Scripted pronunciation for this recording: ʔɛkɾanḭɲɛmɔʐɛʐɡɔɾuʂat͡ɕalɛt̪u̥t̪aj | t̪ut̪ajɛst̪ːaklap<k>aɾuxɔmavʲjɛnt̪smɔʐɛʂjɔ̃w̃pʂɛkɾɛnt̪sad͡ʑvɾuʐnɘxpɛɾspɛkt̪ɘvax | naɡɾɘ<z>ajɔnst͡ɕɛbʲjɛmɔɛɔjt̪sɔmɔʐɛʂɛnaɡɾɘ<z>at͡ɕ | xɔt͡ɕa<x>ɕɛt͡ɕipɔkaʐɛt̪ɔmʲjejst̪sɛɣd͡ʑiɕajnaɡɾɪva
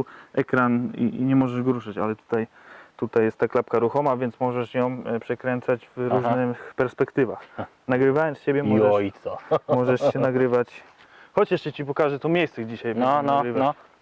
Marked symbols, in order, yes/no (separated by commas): yes, no, no, no